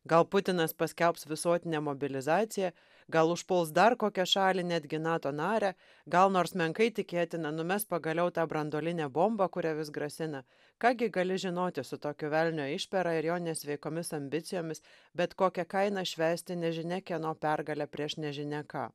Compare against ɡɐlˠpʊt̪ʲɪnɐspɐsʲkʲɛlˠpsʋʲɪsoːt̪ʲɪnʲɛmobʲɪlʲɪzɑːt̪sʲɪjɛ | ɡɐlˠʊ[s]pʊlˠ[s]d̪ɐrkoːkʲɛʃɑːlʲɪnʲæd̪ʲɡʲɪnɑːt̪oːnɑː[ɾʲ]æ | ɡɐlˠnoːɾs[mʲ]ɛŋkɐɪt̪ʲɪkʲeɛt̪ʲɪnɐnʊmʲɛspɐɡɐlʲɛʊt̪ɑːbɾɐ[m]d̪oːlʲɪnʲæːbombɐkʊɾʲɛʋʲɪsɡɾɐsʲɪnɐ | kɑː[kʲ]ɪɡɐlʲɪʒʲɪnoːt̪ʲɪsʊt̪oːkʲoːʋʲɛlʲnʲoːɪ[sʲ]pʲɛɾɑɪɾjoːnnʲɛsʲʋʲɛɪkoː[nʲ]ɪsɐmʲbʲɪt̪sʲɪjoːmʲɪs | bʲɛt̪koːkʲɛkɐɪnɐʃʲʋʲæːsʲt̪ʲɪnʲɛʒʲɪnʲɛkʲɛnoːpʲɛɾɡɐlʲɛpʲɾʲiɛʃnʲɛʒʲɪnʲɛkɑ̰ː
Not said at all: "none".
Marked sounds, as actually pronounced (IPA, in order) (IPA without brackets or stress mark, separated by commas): ʃ, s, ɾʲ, mʲ, n, ɡʲ, ʃʲ, mʲ